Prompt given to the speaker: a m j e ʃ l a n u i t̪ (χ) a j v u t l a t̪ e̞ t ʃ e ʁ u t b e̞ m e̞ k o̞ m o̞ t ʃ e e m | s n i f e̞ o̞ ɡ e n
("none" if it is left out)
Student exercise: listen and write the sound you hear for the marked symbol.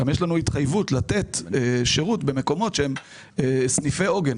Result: χ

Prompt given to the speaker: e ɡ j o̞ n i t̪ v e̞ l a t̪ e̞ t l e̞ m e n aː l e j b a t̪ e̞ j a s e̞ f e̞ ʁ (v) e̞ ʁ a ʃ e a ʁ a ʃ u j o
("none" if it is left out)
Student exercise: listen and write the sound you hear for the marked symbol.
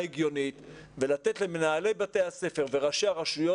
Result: v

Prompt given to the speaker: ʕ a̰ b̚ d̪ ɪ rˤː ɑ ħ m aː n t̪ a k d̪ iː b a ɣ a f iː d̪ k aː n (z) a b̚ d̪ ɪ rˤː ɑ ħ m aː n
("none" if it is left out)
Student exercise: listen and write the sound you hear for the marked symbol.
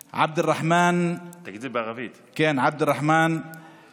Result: ʕ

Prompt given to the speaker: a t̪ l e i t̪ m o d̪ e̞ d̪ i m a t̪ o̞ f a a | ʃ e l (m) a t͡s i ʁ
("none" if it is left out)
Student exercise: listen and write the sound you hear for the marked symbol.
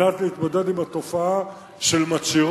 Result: m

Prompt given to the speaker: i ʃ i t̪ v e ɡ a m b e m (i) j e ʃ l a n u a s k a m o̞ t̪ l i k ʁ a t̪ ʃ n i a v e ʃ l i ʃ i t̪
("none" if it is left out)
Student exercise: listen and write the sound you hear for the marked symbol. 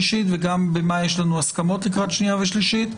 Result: a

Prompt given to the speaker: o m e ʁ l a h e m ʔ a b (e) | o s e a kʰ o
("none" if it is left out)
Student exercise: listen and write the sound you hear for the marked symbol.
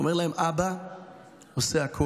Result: a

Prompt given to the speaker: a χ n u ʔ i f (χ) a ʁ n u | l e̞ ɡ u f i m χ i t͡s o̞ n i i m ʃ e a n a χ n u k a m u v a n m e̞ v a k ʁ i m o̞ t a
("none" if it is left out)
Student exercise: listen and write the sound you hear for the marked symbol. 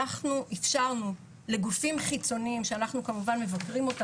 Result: ʃ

